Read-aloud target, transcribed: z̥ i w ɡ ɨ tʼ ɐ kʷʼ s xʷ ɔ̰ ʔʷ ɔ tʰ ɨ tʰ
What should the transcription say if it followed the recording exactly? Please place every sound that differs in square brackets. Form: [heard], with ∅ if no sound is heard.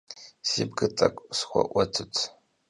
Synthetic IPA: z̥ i [b] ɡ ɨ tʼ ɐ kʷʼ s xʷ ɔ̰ ʔʷ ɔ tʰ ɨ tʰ